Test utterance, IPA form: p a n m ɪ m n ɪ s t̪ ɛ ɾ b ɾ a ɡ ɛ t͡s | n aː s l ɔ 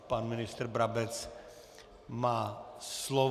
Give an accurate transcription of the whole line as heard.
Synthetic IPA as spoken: p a n m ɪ n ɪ s t̪ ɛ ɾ b ɾ a b ɛ t͡s | m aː s l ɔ

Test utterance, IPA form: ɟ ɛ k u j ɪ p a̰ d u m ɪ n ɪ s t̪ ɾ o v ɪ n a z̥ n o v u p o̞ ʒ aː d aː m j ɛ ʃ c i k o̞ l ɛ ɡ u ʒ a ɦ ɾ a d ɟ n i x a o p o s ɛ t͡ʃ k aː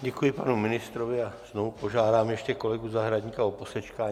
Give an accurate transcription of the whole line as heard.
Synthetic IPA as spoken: ɟ ɛ k u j ɪ p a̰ n u m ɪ n ɪ s t̪ ɾ o v ɪ a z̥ n o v u p o̞ ʒ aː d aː m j ɛ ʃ c ɛ k o̞ l ɛ ɡ u z a ɦ ɾ a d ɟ ɲ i k a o p o s ɛ t͡ʃ k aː

